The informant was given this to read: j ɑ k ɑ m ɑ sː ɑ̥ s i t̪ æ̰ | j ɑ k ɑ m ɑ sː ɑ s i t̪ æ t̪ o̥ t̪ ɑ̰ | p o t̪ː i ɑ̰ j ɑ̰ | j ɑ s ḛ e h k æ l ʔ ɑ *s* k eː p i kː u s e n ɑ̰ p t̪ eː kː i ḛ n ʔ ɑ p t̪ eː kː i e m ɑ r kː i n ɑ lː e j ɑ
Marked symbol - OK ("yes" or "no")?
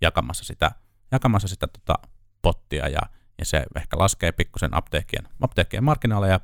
yes